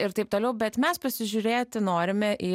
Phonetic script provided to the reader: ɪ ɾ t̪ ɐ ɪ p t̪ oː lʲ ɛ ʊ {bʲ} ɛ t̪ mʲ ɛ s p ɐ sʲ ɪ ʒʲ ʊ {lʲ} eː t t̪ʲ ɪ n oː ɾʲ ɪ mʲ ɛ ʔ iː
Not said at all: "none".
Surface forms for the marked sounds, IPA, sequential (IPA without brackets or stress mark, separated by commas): bʲ, ɾʲ